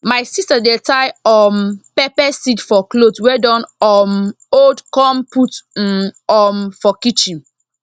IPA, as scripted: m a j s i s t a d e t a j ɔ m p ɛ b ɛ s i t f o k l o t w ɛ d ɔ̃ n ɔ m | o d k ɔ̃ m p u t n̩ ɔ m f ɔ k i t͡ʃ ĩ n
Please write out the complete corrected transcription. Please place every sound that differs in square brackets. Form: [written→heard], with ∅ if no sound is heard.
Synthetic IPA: m a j s i s t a d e t a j ɔ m p ɛ [b→p] ɛ s i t f [o→ɔ] k l o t w ɛ d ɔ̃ n ɔ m | o d k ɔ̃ m p u t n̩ ɔ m f ɔ k i t͡ʃ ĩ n